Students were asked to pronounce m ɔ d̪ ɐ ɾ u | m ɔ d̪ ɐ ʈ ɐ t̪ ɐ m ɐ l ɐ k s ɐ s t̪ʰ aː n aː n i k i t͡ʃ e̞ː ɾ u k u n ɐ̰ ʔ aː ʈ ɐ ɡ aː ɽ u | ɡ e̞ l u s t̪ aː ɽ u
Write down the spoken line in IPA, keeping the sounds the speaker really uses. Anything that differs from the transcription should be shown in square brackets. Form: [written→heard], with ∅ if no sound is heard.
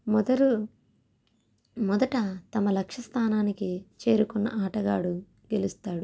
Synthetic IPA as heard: m ɔ d̪ ɐ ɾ u | m ɔ d̪ ɐ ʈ ɐ t̪ ɐ m ɐ l ɐ k [s→ʂ] ɐ s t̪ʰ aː n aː n i k i t͡ʃ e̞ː ɾ u k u [n→nː] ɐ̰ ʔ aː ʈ ɐ ɡ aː ɽ u | ɡ e̞ l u s t̪ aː ɽ u